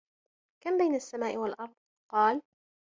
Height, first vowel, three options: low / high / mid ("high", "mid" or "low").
low